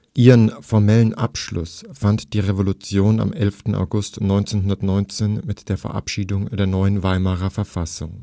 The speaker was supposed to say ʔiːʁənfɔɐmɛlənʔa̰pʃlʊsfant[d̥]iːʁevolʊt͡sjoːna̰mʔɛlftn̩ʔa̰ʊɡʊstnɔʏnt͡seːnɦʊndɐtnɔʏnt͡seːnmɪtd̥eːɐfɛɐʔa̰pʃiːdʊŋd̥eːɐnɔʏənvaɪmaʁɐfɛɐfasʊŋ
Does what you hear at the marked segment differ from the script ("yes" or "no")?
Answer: no